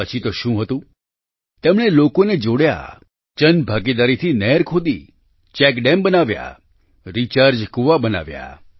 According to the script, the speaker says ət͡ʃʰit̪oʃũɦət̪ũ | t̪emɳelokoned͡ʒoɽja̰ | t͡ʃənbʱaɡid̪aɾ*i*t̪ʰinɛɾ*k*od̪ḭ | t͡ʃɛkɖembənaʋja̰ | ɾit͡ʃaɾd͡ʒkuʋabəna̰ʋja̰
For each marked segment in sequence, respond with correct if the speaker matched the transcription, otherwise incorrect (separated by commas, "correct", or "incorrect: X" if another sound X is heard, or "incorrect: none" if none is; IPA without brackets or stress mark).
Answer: correct, incorrect: kʰ